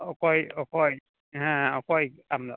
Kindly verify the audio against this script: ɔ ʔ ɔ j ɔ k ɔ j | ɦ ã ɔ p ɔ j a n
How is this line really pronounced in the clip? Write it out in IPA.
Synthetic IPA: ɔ k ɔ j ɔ k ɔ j | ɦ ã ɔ k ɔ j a m